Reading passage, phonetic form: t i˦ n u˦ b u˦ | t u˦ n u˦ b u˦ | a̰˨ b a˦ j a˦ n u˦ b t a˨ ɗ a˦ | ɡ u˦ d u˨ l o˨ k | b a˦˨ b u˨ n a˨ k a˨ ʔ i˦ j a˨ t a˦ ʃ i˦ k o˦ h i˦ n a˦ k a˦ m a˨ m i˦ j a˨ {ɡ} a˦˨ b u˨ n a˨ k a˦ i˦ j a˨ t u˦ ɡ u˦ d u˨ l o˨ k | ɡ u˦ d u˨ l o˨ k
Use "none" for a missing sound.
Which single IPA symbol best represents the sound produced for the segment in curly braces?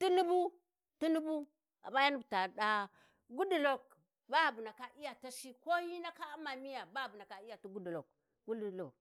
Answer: b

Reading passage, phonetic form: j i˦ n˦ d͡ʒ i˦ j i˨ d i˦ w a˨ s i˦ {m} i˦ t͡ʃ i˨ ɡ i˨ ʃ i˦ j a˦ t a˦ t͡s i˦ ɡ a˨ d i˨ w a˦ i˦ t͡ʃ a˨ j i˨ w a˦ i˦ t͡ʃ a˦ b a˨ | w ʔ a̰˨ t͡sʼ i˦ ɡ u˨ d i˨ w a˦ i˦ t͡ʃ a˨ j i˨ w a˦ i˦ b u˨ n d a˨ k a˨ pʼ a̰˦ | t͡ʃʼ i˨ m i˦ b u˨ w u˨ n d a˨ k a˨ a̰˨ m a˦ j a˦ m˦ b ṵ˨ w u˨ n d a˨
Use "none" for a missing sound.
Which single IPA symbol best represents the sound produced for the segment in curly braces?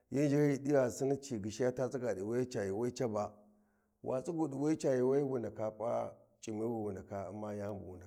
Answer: n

